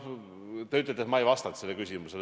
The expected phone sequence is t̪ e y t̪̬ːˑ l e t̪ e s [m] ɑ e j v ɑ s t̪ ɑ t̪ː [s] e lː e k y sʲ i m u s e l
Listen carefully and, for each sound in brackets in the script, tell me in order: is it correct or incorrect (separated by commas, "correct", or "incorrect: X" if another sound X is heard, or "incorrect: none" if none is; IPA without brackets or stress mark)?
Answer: correct, correct